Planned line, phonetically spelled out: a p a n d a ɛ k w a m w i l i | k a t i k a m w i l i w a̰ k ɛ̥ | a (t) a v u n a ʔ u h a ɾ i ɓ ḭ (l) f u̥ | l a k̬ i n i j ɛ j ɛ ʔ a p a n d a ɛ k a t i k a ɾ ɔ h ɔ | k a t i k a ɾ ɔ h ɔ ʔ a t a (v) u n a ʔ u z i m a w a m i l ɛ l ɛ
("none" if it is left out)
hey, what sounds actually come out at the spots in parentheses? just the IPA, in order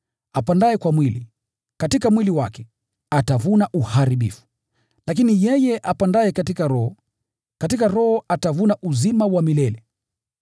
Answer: t, none, v

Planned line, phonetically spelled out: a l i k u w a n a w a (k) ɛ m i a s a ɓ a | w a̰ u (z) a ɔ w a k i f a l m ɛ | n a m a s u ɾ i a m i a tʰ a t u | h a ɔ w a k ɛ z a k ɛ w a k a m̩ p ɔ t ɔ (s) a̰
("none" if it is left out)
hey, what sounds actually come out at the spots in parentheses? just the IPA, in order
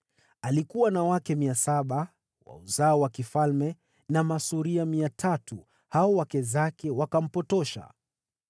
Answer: k, z, ʃ

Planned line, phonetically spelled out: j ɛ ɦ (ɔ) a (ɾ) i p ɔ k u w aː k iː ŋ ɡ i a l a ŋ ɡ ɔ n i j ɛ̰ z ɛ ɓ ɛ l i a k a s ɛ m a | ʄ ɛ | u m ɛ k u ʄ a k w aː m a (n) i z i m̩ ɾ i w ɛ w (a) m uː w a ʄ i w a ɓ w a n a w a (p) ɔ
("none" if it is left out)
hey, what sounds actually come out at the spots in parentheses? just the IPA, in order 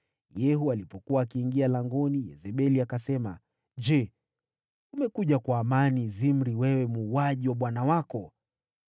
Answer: u, l, n, ɛ, k

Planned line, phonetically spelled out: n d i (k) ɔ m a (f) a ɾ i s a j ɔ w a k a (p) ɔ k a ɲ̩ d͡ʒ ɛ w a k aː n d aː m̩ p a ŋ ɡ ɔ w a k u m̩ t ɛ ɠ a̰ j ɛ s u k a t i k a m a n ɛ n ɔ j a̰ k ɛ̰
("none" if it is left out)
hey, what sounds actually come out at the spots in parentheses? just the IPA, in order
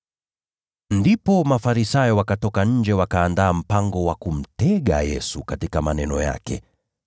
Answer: p, f, t

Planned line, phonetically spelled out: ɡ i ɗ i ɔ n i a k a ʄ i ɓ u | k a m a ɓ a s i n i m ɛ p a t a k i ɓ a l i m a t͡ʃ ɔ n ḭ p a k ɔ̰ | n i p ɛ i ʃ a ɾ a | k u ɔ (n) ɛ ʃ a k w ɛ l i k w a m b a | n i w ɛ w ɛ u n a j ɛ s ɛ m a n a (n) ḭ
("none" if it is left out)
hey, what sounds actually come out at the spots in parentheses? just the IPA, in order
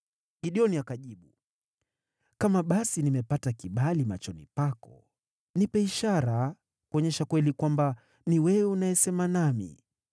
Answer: ɲ, m

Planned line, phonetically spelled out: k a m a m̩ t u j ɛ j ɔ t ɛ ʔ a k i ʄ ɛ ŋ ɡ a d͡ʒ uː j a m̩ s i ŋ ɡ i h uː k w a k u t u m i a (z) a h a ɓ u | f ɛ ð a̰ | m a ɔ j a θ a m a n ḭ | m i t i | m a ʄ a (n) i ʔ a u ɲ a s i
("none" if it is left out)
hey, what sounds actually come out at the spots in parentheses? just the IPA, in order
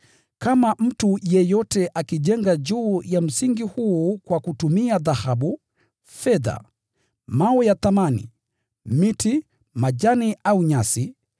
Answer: ð, n

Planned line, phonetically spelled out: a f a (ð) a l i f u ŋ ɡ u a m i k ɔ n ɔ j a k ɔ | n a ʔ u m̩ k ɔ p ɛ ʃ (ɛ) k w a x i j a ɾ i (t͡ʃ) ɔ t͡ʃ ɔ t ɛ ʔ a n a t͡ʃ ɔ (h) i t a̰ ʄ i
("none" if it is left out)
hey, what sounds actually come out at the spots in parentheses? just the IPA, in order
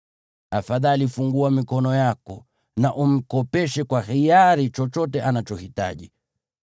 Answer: ð, ɛ, t͡ʃ, h

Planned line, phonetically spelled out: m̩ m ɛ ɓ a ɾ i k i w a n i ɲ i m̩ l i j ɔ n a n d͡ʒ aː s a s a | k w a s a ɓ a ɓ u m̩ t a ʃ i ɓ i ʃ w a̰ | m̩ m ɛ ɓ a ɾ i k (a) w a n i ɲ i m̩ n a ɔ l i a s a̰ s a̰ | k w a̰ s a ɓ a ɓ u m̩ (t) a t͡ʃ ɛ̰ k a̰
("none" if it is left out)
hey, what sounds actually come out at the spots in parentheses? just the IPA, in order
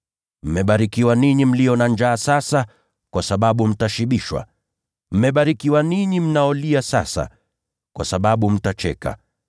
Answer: i, t

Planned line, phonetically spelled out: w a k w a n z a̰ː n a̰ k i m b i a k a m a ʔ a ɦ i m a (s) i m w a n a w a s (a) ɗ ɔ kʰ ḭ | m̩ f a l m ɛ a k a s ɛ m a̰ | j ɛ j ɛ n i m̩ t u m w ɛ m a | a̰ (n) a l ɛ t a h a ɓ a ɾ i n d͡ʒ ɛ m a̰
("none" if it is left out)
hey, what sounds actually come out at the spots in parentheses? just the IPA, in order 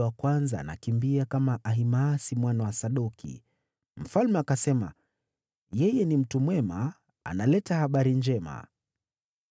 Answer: s, a, n

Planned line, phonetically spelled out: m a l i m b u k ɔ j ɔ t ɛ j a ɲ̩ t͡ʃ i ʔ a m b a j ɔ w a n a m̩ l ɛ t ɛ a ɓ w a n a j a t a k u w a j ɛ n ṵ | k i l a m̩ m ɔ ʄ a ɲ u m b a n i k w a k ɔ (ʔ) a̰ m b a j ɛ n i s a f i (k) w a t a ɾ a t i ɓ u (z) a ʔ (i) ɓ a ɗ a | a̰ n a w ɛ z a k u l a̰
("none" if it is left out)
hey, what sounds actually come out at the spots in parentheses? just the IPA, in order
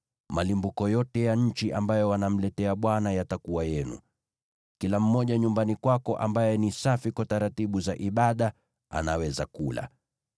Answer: ʔ, k, z, i

